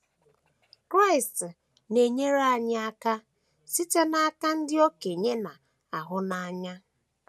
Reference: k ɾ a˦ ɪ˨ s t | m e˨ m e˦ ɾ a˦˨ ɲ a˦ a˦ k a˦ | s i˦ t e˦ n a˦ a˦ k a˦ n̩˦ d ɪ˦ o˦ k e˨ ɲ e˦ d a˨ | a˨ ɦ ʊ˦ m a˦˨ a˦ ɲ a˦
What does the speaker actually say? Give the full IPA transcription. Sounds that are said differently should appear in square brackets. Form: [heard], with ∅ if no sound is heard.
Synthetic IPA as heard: k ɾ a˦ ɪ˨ s t | [n] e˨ [ɲ] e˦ ɾ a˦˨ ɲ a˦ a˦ k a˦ | s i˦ t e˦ n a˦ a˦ k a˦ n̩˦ d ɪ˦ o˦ k e˨ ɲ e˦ [n] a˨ | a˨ ɦ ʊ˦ [n] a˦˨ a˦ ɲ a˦